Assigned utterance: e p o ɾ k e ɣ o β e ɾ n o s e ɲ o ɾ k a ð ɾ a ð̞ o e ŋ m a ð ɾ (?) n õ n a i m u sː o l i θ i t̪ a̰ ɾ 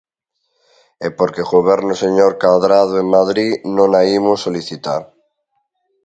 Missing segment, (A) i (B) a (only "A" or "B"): A